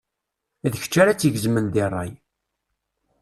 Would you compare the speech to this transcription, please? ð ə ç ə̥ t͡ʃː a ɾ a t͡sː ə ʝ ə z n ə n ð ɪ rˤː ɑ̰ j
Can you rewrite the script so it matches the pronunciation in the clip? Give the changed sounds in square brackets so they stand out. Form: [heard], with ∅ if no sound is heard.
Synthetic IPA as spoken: ð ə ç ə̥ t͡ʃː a ɾ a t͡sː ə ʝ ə z [m] ə n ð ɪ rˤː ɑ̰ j